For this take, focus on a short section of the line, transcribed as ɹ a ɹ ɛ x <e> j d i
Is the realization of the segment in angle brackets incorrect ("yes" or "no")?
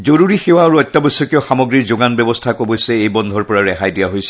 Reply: yes